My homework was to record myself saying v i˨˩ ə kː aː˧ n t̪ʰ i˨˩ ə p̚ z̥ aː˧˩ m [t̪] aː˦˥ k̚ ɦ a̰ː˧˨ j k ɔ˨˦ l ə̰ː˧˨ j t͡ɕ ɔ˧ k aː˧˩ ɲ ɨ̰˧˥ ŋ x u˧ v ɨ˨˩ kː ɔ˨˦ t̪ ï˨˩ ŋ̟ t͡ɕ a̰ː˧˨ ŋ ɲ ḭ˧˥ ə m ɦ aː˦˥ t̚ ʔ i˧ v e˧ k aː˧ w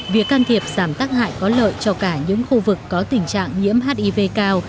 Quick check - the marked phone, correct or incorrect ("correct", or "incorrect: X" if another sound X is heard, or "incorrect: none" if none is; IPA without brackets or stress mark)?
correct